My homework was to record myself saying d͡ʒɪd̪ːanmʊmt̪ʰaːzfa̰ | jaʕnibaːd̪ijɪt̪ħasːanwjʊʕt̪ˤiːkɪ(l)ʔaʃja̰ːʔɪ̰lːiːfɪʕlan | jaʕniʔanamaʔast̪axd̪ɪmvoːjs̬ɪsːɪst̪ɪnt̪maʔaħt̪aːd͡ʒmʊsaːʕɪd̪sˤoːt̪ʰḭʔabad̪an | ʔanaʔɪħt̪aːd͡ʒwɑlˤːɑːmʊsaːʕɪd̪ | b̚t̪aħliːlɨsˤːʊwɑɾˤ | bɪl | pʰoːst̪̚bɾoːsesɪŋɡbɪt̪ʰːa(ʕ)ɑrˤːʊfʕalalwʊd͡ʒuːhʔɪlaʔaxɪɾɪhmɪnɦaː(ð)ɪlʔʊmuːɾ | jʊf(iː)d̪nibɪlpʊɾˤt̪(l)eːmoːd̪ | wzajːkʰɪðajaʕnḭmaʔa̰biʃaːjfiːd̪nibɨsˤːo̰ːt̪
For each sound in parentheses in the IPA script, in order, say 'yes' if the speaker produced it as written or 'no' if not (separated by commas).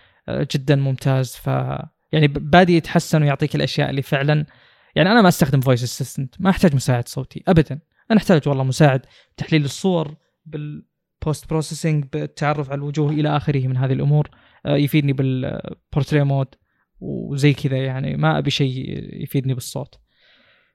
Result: yes, yes, yes, yes, no